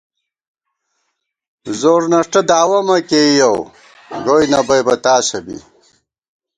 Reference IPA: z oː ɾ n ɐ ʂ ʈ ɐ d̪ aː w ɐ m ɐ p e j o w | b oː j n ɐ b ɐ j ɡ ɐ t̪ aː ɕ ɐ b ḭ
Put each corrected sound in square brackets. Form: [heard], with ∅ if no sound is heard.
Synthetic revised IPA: z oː ɾ n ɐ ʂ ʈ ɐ d̪ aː w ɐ m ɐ [k] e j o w | [ɡ] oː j n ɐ b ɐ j [b] ɐ t̪ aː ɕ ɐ b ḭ